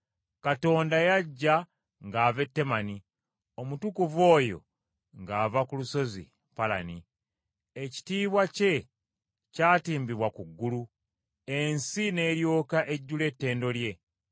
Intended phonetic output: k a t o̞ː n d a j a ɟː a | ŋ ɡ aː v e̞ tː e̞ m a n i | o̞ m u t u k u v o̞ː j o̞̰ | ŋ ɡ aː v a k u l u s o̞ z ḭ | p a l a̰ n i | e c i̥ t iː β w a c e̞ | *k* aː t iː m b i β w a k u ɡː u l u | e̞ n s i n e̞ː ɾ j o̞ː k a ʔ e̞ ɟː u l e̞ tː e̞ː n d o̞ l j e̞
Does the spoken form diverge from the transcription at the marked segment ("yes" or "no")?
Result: yes